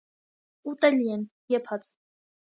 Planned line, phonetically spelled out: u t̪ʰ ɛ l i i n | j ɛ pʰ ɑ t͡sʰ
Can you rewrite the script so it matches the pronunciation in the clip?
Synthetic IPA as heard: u t̪ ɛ l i ɛ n | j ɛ pʰ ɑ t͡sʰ